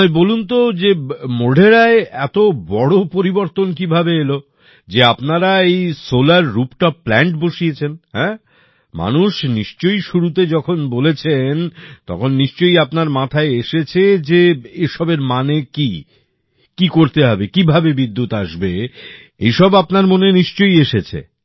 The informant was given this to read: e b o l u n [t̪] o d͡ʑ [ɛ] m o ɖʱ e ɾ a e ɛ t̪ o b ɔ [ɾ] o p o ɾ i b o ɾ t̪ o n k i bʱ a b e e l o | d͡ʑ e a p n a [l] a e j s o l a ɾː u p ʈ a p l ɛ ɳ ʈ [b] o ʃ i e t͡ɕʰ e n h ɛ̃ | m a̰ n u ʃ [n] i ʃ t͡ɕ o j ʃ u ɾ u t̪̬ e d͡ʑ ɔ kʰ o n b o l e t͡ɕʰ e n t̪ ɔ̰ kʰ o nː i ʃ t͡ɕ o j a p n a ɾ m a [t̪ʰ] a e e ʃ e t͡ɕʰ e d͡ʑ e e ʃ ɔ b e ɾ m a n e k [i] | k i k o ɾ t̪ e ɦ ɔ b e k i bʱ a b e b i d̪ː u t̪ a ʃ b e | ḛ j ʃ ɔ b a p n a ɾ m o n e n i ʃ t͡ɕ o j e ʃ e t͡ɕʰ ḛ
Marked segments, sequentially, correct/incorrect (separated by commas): correct, incorrect, incorrect, incorrect, correct, correct, correct, correct